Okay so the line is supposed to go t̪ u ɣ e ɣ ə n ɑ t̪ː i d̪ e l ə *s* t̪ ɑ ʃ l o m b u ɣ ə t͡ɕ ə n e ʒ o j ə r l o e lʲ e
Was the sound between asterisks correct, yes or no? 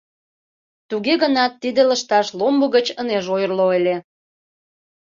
no